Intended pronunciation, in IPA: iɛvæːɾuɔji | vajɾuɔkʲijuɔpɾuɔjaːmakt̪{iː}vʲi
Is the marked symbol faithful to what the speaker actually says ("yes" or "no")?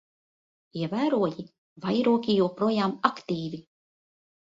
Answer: yes